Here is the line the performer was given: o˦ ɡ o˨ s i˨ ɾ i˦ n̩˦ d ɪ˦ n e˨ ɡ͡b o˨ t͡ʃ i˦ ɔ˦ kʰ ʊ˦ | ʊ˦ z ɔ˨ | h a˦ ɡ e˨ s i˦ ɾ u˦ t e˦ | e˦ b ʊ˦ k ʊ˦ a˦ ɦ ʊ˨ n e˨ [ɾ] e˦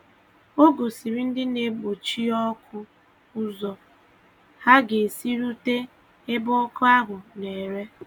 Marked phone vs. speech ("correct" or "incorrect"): correct